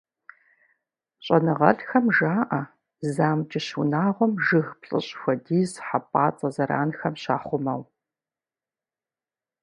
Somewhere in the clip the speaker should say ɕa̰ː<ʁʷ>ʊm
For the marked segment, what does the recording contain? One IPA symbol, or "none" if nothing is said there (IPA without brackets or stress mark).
χʷ